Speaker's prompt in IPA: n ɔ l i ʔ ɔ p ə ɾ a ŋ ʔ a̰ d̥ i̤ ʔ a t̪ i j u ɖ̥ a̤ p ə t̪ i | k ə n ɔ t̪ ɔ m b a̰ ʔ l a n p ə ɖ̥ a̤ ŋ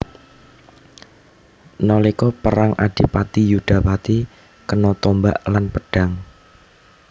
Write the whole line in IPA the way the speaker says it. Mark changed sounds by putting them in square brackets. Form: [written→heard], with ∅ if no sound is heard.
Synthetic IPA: n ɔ l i [ʔ→k] ɔ p ə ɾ a ŋ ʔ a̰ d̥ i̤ [ʔ→p] a t̪ i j u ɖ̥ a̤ p [ə→a] t̪ i | k ə n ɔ t̪ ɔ m b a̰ ʔ l a n p ə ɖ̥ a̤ ŋ